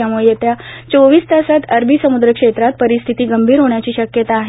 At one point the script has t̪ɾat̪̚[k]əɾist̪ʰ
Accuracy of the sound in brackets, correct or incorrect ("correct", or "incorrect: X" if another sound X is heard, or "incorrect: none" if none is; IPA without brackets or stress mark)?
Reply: incorrect: p